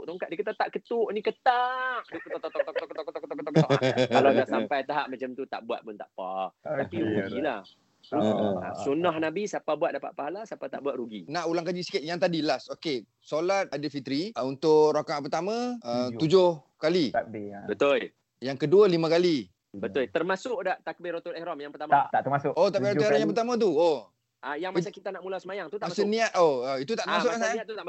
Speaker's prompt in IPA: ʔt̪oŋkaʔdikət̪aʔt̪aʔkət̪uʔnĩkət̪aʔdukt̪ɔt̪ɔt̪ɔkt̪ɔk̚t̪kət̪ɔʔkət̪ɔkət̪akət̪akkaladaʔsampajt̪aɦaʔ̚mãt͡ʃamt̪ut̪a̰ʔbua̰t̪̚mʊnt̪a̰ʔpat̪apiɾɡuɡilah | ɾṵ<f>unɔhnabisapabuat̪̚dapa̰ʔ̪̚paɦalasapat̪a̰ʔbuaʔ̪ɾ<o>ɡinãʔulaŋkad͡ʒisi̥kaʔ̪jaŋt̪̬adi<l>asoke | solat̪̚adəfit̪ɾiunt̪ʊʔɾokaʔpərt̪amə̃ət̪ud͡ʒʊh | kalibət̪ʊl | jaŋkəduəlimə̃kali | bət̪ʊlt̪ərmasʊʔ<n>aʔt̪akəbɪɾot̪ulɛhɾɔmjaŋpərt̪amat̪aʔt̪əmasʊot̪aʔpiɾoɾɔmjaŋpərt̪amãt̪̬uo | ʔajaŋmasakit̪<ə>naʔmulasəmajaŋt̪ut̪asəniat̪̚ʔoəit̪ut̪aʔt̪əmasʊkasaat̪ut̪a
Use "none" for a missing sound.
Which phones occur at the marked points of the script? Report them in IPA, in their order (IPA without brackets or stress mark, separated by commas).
s, u, l, d, a